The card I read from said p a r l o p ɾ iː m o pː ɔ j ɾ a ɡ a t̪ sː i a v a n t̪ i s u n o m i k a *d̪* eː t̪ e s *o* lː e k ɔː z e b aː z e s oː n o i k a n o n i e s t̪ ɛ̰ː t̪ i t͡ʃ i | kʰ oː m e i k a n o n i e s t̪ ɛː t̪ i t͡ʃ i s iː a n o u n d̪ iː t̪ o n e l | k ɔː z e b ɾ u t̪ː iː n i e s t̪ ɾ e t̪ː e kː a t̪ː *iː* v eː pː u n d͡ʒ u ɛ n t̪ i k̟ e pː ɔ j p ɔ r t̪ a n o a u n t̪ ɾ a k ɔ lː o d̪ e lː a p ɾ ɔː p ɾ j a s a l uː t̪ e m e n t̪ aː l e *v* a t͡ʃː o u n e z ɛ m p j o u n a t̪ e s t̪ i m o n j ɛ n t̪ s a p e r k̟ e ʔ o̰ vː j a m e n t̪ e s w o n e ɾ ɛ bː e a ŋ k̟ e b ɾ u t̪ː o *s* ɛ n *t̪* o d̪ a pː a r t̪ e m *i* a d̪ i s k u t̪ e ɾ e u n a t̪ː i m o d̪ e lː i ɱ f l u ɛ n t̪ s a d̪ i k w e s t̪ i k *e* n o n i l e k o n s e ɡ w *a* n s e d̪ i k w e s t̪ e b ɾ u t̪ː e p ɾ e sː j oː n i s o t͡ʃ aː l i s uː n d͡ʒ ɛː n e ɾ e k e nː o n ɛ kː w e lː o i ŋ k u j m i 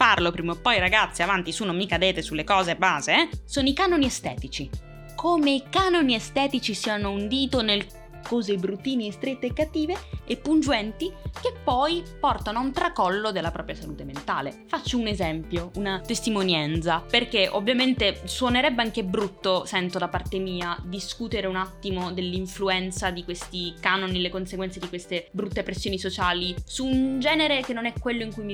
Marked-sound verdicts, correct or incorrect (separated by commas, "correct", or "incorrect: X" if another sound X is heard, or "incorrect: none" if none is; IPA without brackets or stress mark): correct, incorrect: u, correct, incorrect: f, correct, correct, incorrect: iː, incorrect: a, incorrect: ɛ